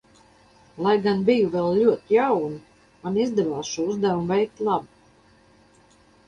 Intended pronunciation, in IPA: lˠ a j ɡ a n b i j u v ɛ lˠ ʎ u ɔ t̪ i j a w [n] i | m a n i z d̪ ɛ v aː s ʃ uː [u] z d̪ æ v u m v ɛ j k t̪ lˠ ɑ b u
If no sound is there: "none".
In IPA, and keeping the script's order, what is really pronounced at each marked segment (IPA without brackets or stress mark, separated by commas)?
n, u